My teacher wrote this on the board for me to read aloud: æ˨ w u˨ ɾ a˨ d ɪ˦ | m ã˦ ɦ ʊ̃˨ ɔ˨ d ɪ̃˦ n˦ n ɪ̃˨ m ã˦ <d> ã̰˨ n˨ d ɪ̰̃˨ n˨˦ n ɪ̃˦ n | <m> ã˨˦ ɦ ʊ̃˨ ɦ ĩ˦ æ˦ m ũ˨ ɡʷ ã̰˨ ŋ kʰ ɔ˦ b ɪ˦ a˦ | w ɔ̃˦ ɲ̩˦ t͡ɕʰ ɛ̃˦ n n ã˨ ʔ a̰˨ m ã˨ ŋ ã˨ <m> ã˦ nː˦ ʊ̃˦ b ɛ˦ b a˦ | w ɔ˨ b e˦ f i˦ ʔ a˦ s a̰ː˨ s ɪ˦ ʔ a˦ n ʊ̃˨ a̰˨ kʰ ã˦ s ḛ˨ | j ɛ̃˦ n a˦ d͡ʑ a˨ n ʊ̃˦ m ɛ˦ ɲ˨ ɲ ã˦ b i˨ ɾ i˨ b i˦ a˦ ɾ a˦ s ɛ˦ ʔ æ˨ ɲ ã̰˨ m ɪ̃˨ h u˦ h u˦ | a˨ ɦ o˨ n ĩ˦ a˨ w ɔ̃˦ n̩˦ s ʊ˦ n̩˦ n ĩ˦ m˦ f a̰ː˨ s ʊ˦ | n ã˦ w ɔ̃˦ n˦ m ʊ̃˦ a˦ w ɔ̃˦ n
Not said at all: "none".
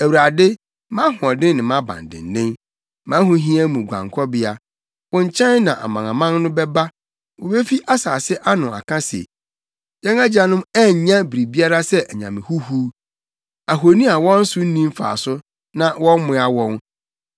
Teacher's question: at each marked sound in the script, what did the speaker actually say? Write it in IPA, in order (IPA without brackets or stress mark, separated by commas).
b, m, m